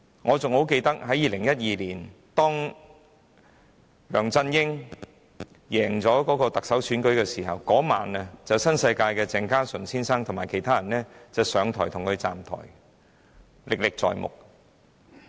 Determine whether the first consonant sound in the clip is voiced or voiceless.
voiced